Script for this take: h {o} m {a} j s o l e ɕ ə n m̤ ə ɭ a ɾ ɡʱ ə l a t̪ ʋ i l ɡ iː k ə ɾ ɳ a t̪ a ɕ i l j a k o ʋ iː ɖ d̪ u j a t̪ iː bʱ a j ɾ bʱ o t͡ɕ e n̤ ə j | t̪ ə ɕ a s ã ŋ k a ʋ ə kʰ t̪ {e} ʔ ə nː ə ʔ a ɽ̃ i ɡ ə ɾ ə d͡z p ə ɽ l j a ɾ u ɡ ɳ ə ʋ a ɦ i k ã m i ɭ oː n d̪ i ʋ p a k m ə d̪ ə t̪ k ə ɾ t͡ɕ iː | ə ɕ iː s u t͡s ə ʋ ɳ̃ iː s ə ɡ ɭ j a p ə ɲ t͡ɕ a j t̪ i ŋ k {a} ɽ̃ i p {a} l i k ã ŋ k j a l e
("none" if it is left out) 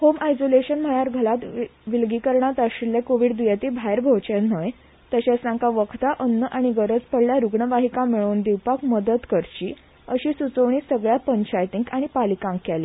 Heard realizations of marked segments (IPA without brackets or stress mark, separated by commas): o, a, a, a, a